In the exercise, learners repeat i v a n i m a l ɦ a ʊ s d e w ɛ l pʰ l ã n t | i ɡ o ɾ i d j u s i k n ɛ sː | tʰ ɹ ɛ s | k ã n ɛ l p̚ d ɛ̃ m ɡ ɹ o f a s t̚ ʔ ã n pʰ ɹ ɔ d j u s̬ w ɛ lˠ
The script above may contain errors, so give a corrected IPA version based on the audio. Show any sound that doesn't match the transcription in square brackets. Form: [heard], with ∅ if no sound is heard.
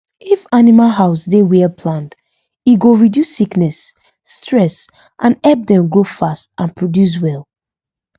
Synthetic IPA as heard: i [f] a n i m a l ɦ a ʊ s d e w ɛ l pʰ l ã n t | i ɡ o [ɹ] i d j u s i k n ɛ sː | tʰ ɹ ɛ s | [ʔ] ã n ɛ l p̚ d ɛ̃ m ɡ ɹ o f a s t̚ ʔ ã n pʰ ɹ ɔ d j u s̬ w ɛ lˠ